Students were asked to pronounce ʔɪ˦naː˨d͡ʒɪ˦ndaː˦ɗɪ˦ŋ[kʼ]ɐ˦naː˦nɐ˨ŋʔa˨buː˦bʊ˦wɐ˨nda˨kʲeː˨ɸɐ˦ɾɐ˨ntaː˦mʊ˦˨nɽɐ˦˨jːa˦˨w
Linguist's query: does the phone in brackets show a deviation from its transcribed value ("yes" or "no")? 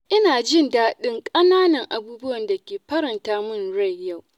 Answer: no